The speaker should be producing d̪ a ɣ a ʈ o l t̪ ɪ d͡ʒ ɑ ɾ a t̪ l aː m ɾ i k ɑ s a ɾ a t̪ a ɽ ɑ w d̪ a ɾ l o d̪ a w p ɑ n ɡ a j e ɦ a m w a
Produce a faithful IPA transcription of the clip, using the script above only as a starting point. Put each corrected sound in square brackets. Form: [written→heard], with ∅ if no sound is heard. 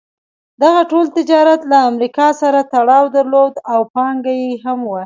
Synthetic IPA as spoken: d̪ a ɣ a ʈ o l t̪ ɪ d͡ʒ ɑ ɾ a t̪ l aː m ɾ i k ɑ s a ɾ a t̪ a ɽ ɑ w d̪ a ɾ l o d̪ a w p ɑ [n→ŋ] ɡ a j e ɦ a m w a